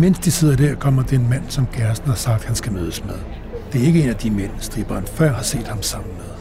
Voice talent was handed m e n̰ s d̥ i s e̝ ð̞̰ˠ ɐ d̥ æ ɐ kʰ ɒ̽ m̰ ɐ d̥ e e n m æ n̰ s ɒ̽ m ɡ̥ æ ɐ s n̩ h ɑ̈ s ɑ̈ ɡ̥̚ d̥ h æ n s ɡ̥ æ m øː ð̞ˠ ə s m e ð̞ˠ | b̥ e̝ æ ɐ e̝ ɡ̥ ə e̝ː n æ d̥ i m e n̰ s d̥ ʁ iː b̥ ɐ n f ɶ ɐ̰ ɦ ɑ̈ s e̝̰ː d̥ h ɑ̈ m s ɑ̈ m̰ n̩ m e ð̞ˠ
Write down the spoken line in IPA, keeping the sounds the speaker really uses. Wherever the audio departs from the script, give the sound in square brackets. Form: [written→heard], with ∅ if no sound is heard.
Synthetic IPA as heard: m e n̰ s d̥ i s e̝ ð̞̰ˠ ɐ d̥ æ ɐ kʰ ɒ̽ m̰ ɐ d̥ e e n m æ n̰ s ɒ̽ m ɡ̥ æ ɐ s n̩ h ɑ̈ s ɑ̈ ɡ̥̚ d̥ h æ n s ɡ̥ æ m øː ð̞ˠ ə s m e ð̞ˠ | [b̥→d̥] e̝ æ ɐ e̝ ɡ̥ ə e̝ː n æ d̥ i m e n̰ s d̥ ʁ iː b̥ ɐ n f ɶ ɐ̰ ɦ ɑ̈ s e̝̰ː d̥ h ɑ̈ m s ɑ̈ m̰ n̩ m e ð̞ˠ